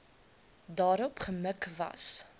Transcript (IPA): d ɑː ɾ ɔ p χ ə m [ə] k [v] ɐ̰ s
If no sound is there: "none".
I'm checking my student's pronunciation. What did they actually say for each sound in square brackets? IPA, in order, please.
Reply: ə, v

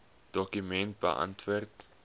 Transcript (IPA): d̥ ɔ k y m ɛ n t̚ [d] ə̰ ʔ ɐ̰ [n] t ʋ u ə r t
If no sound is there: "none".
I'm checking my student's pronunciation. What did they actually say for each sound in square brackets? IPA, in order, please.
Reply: b, n

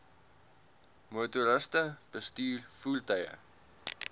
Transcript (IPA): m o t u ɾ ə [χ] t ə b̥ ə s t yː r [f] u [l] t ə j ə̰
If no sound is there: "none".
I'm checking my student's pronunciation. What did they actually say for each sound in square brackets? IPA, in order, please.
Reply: s, f, l

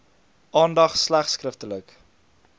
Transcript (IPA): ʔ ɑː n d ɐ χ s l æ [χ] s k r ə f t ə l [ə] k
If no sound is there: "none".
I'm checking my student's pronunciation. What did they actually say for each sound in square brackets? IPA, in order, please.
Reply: χ, ə

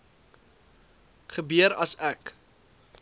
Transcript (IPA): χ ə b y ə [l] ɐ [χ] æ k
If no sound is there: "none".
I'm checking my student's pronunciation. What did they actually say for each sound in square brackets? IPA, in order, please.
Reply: ɾ, s

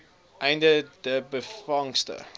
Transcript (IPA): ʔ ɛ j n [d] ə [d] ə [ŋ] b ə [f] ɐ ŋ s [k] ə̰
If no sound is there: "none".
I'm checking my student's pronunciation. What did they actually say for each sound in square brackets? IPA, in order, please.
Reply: d, d, none, f, t

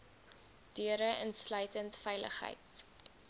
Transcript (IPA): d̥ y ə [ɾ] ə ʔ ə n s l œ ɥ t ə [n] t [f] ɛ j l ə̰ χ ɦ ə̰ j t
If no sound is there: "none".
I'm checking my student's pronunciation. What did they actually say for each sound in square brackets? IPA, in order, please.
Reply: ɾ, n, f

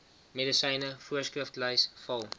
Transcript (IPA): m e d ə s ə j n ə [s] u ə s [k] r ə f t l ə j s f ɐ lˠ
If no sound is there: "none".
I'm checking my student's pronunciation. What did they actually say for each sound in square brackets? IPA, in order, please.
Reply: f, k

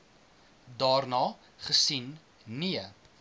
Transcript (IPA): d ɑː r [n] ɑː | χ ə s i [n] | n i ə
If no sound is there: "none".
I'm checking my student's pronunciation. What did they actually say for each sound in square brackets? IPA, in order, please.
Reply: n, n

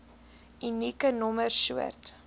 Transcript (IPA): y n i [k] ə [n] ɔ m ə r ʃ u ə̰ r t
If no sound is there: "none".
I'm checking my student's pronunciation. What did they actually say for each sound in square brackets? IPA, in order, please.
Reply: k, n

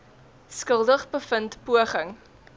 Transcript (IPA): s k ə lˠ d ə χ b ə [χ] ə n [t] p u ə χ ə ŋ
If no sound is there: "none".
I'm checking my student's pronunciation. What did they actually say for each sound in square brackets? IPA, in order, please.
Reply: f, t

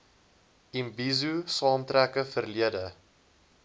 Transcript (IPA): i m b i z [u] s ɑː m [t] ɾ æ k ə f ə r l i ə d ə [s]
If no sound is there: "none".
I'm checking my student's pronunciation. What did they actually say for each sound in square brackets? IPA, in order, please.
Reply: u, t, none

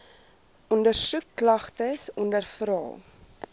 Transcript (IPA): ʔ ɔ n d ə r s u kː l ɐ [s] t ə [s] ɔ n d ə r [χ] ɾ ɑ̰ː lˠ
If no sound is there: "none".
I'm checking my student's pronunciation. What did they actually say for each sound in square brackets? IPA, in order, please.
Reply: χ, s, f

